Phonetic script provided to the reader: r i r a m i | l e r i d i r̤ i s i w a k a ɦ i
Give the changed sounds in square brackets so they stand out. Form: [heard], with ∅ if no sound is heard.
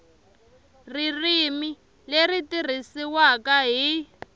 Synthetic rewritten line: r i r [i] m i | l e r i [t] i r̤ i s i w a k a ɦ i